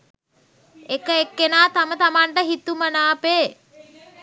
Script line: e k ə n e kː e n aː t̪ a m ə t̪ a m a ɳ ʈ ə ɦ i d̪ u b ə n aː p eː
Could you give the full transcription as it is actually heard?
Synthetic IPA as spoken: e k ə e kː e n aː t̪ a m ə t̪ a m a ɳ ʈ ə ɦ i t̪ u m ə n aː p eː